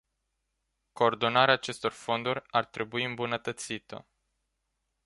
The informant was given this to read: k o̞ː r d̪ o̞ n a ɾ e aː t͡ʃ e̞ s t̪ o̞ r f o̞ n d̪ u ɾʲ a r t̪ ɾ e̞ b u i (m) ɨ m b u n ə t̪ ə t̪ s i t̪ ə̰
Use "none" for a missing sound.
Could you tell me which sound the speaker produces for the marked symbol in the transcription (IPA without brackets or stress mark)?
none